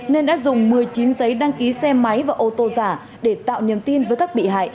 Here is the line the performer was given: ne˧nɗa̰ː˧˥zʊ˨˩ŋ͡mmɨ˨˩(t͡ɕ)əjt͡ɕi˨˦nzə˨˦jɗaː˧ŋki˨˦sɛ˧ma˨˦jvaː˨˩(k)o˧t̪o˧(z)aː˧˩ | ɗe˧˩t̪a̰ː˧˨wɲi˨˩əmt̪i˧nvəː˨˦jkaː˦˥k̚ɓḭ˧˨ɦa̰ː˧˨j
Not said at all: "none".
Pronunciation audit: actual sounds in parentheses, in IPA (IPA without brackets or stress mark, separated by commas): none, ʔ, z